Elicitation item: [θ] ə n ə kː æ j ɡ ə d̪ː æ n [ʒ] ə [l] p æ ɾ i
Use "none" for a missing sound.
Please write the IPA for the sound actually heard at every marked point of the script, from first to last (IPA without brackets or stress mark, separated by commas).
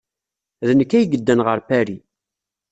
ð, ʁ, ɾ